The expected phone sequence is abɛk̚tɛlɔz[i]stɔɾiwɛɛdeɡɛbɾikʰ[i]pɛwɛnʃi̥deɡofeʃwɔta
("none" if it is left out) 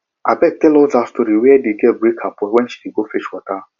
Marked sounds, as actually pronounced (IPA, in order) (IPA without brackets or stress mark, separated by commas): a, a